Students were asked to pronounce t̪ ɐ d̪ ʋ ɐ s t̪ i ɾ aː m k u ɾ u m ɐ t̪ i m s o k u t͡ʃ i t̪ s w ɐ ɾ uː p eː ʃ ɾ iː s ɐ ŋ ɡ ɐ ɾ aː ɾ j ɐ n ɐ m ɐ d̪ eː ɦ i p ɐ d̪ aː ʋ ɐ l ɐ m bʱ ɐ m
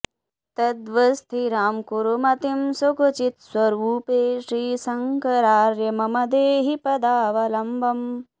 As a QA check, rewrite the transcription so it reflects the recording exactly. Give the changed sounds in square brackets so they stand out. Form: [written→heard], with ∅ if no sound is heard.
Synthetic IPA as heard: t̪ ɐ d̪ ʋ ɐ s [t̪→t̪ʰ] i ɾ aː m k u ɾ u m ɐ t̪ i m s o k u t͡ʃ i t̪ s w ɐ ɾ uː p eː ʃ ɾ iː s ɐ ŋ [ɡ→k] ɐ ɾ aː ɾ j ɐ [n→m] ɐ m ɐ d̪ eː ɦ i p ɐ d̪ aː ʋ ɐ l ɐ m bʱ ɐ m